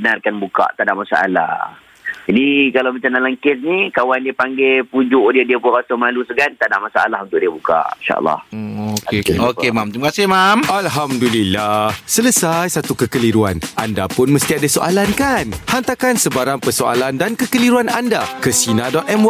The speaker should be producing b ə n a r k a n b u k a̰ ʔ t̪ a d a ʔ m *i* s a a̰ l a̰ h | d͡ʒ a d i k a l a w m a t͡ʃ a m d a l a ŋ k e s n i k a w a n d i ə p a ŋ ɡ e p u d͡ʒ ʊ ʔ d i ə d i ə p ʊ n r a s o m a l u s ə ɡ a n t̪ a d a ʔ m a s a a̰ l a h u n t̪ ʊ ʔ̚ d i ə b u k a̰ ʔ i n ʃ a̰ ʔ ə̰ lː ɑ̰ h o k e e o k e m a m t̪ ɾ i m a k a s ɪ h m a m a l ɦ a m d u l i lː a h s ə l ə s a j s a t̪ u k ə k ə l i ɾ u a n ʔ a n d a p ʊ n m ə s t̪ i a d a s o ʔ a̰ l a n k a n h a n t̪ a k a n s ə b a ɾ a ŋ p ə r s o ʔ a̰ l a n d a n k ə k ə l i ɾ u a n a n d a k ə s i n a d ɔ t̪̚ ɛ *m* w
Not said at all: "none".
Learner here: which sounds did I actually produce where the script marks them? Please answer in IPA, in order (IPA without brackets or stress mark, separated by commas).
a, m